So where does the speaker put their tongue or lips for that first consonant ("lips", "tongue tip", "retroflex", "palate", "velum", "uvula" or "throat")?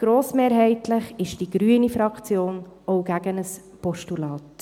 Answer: velum